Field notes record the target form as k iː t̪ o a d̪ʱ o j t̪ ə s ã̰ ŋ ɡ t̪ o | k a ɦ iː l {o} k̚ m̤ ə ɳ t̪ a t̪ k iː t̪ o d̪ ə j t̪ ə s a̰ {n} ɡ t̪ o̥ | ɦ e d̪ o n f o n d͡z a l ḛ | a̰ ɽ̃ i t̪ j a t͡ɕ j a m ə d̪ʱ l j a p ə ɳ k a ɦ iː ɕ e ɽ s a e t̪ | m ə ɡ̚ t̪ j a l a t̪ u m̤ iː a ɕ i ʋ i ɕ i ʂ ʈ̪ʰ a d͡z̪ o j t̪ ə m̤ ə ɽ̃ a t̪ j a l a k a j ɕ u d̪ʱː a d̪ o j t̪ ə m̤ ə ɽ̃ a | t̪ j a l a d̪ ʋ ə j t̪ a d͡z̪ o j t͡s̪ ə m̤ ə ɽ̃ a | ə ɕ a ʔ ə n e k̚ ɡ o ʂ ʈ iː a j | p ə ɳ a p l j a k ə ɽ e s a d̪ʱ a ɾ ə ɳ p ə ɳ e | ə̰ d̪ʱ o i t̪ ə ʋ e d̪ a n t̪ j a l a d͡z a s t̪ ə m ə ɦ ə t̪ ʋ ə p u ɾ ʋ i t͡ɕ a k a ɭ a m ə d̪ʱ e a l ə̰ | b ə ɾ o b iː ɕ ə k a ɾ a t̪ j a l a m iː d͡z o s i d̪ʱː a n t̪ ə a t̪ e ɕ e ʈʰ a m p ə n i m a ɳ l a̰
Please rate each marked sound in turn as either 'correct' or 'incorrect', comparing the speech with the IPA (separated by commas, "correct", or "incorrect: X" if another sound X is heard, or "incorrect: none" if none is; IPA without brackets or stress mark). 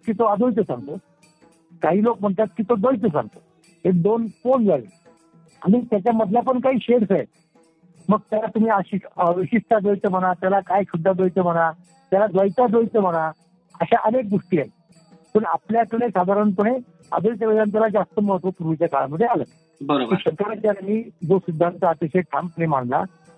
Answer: correct, incorrect: ŋ